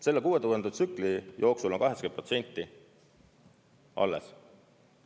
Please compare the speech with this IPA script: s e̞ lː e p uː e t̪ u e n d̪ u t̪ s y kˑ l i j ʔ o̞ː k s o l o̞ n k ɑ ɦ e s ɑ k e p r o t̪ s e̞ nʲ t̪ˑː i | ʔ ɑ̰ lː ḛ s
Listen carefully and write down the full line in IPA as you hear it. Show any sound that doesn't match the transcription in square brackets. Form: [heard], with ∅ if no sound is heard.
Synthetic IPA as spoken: s e̞ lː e [k] uː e t̪ u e n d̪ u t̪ s y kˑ l i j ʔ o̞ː k s [u] l o̞ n k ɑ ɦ e s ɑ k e p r o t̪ s e̞ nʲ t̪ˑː i | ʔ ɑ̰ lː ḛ s